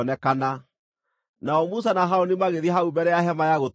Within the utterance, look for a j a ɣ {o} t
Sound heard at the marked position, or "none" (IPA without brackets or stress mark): o